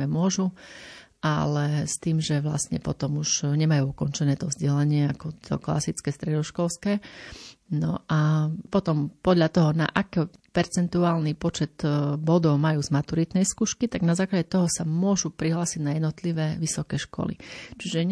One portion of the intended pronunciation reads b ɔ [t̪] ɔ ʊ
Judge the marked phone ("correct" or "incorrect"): incorrect